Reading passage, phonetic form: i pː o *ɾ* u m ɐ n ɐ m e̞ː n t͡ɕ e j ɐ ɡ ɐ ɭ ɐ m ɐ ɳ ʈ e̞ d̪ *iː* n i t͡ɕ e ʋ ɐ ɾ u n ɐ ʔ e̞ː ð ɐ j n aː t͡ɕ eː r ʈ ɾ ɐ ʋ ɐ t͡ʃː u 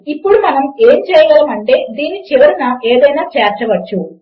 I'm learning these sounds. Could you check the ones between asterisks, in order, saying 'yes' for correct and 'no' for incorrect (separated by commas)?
no, yes